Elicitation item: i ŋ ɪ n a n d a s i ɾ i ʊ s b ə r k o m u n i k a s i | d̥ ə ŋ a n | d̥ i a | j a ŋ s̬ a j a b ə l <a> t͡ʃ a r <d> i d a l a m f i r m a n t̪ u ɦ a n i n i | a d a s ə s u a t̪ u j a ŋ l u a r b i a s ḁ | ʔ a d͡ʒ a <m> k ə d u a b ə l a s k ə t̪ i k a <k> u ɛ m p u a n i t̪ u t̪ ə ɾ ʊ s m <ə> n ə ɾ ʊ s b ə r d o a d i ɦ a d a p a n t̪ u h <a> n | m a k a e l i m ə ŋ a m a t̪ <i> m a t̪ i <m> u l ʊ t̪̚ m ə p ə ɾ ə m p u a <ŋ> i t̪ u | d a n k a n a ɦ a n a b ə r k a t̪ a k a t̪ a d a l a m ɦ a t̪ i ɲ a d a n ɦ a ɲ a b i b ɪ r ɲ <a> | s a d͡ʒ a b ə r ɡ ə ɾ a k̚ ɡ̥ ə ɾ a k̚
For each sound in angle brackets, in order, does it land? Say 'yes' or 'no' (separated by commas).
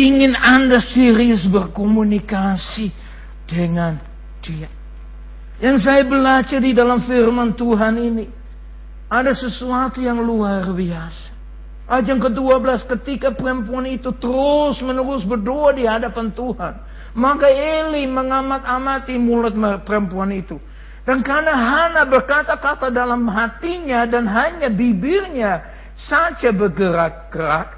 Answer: yes, yes, no, no, yes, yes, no, yes, no, yes